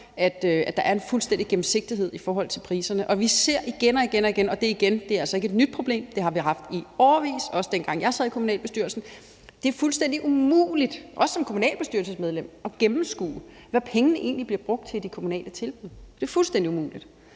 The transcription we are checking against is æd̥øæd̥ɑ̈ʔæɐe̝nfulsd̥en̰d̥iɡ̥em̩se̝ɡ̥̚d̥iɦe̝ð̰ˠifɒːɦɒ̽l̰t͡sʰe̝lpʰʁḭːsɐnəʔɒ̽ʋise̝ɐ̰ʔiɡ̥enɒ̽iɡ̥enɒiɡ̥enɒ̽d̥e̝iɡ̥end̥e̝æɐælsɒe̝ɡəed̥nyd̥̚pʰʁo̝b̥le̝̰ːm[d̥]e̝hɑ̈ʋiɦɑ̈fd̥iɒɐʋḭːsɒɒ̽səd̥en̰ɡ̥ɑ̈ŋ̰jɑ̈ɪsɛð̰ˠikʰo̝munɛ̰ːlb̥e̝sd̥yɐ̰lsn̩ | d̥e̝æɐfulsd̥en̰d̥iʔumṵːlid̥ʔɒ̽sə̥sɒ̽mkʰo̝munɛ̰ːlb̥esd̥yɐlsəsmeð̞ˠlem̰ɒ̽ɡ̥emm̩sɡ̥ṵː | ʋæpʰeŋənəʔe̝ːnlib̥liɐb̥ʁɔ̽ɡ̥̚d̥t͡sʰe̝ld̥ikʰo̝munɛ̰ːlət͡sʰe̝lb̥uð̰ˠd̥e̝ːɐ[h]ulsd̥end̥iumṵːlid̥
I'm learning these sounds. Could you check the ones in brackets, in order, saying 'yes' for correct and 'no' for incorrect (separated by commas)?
yes, no